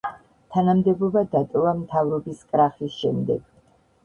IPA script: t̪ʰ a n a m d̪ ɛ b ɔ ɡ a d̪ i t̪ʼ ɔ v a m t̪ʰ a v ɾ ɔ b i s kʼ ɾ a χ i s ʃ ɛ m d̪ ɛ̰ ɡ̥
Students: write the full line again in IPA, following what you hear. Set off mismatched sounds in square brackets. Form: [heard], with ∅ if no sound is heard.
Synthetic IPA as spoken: t̪ʰ a n a m d̪ ɛ b ɔ [b] a d̪ [a] t̪ʼ ɔ v a m t̪ʰ a v ɾ ɔ b i s kʼ ɾ a χ i s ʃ ɛ m d̪ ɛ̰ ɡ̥